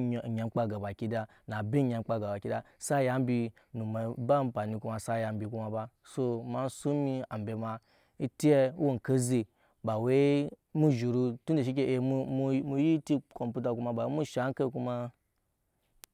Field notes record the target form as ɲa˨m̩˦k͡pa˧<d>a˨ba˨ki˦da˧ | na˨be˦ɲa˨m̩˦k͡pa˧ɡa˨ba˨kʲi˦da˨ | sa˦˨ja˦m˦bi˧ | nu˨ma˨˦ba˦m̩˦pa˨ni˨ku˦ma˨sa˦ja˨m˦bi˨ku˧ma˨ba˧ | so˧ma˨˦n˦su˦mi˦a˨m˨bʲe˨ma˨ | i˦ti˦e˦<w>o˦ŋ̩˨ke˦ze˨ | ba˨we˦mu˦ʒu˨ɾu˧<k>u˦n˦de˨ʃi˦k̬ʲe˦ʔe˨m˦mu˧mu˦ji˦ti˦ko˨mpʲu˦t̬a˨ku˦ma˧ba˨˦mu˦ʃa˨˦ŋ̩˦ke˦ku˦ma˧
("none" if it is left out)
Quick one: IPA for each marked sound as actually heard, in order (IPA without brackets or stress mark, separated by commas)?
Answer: ɡ, w, t